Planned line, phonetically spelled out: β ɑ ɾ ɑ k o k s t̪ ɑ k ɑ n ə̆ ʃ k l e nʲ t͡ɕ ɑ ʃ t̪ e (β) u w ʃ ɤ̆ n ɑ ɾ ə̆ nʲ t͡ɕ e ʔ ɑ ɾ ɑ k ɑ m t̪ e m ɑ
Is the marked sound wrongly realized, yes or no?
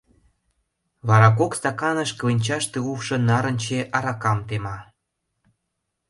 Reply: yes